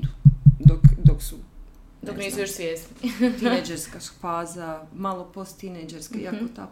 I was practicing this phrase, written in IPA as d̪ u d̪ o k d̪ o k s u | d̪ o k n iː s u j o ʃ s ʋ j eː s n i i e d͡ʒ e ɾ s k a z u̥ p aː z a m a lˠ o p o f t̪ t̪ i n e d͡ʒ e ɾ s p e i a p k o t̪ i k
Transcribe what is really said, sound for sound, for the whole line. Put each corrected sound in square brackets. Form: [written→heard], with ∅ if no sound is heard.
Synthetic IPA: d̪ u d̪ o k d̪ o k s u | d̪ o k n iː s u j o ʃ s ʋ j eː s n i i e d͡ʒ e ɾ s k a [z→s] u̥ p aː z a m a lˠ o p o [f→s] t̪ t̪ i n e d͡ʒ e ɾ s [p→k] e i a [p→∅] k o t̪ [i→a] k